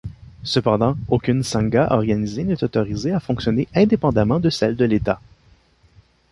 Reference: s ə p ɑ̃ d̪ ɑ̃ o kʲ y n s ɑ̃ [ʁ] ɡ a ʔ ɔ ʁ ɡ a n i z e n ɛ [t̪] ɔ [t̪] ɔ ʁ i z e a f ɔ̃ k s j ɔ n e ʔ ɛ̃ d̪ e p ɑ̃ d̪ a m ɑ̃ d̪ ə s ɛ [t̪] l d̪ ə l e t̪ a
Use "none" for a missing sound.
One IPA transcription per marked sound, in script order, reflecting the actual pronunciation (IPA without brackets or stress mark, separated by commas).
none, t̪, t̪, none